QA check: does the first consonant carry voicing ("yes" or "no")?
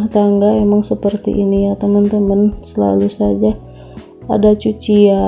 no